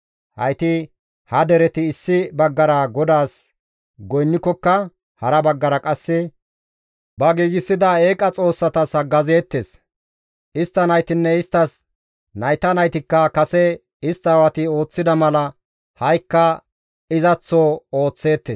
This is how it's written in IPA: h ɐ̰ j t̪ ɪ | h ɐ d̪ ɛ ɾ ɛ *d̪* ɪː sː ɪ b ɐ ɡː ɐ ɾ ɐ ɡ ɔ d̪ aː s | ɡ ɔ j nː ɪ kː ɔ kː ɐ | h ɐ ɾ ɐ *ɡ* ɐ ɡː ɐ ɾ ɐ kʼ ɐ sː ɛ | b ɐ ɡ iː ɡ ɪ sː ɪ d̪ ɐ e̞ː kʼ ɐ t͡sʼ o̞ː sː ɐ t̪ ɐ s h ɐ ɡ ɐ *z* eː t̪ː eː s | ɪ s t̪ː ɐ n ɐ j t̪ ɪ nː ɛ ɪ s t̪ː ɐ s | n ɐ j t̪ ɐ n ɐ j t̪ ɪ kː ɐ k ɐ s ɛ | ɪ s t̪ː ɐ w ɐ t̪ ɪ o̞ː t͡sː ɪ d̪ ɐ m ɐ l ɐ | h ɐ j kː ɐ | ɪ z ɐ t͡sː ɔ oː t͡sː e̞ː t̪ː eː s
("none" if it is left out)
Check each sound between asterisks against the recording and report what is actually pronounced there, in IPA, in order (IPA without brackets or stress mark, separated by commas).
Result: t̪, b, z